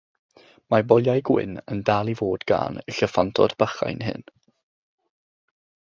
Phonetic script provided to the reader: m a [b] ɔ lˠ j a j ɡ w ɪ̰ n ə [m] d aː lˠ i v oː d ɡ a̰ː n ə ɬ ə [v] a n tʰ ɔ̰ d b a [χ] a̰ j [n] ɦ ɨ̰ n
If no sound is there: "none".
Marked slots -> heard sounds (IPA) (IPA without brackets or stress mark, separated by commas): b, n, f, χ, n